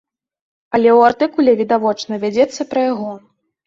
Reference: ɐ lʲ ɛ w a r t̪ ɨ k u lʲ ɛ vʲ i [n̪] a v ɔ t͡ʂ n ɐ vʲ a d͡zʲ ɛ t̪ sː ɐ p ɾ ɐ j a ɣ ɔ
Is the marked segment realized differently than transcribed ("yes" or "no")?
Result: yes